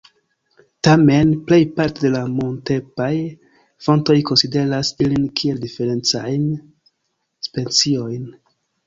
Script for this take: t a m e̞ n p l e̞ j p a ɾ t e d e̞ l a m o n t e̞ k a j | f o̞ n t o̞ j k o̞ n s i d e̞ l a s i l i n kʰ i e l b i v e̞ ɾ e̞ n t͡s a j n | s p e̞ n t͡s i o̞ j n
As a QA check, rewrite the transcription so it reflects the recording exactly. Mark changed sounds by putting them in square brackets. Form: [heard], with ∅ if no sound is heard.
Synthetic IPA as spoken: t a m e̞ n p l e̞ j p a ɾ t e d e̞ l a m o n t e̞ [p] a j | f o̞ n t o̞ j k o̞ n s i d e̞ [ɾ] a s i l i n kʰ i e l [d] i [f] e̞ ɾ e̞ n t͡s a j n | s p e̞ n t͡s i o̞ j n